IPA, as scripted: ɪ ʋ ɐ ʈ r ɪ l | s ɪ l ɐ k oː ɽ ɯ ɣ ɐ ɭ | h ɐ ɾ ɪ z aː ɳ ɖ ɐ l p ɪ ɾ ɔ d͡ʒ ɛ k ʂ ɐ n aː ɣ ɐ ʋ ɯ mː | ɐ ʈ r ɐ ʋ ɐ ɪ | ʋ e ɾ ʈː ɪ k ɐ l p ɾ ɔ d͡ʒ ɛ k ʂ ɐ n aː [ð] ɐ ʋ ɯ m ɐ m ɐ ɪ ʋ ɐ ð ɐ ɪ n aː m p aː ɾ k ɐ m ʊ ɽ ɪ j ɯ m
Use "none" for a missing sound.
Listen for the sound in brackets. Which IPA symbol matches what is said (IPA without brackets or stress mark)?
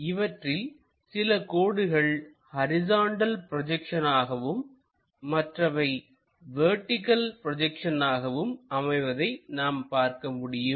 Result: ɣ